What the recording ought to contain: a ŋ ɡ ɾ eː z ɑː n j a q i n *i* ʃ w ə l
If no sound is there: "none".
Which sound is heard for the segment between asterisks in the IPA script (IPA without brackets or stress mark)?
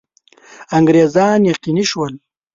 i